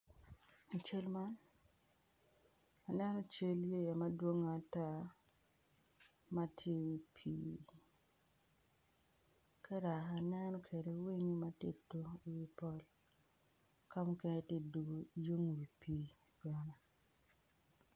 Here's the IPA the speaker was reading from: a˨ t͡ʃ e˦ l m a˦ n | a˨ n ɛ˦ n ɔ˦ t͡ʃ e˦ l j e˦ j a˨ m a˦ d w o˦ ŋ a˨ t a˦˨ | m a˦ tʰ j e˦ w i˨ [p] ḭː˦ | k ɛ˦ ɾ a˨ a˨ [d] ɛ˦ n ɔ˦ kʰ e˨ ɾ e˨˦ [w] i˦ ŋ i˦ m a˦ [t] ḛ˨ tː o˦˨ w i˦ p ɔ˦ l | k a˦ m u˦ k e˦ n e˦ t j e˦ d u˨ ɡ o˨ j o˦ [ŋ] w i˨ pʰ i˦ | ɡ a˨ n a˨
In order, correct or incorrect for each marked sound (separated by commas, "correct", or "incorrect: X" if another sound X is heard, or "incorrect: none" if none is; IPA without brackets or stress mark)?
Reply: incorrect: pʰ, incorrect: n, correct, correct, correct